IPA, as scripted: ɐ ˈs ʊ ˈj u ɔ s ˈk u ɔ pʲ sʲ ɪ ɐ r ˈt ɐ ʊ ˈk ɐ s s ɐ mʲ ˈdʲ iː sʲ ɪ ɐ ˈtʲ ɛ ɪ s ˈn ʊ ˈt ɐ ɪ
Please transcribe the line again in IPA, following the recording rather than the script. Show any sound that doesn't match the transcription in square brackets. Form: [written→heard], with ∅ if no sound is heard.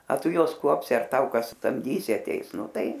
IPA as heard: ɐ [ˈs→ˈt] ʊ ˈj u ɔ s ˈk u ɔ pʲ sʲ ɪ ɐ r ˈt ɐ ʊ ˈk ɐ s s ɐ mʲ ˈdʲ iː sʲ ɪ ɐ ˈtʲ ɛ ɪ s ˈn ʊ ˈt ɐ ɪ